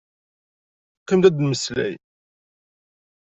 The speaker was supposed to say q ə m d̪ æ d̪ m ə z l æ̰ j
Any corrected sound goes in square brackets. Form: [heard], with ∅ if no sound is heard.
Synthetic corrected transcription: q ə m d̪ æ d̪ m ə [s] l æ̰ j